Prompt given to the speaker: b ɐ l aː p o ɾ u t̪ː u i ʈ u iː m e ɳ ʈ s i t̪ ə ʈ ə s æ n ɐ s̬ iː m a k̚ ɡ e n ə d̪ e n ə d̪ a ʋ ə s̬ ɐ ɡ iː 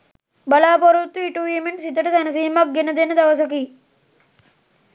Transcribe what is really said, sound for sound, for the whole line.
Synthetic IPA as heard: b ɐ l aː p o ɾ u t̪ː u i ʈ u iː m e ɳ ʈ s i t̪ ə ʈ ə s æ n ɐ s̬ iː m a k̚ ɡ e n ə d̪ e n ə d̪ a ʋ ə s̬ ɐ k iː

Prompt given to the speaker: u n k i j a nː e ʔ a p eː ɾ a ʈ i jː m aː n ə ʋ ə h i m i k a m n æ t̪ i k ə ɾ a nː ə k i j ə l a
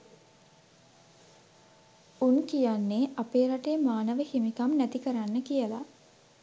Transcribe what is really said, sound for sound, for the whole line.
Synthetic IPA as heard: u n k i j a nː e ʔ a p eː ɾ a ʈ e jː m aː n ə ʋ ə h i m i k a m n æ t̪ i k ə ɾ a nː ə k i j ə l a

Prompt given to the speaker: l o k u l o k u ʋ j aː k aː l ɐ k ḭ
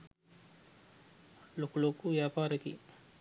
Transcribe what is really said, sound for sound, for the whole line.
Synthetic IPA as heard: l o k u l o k u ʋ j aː p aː ɾ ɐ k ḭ

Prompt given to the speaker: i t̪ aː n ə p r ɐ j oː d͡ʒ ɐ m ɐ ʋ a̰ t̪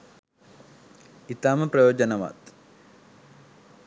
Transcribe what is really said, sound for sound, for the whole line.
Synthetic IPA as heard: i t̪ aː m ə p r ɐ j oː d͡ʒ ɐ n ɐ ʋ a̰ t̪

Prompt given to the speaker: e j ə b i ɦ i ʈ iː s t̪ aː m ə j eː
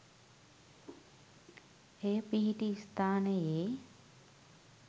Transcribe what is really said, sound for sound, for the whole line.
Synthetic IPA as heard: e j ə p i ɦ i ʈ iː s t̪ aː n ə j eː

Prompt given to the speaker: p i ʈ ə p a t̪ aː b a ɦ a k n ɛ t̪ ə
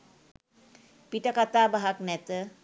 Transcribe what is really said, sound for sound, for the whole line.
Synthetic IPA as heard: p i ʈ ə k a t̪ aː b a ɦ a k n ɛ t̪ ə

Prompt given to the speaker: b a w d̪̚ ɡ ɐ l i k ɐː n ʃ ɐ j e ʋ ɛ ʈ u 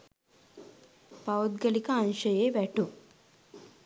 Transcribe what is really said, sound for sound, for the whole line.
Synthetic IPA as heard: p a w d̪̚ ɡ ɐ l i k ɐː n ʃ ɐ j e ʋ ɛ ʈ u

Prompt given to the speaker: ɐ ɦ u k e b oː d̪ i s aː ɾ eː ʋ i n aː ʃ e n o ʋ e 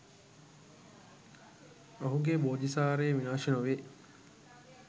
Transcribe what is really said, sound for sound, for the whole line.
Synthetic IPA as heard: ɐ ɦ u ɡ e b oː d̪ i s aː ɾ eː ʋ i n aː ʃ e n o ʋ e

